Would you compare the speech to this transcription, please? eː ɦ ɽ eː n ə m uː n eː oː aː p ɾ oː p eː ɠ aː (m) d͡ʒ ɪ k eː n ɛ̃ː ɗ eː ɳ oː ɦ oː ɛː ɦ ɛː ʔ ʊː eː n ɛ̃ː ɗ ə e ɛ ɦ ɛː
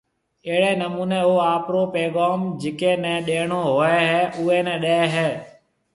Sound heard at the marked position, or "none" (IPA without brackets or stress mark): m